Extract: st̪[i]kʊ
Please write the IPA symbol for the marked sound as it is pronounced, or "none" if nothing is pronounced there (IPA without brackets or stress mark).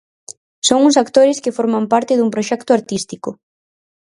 i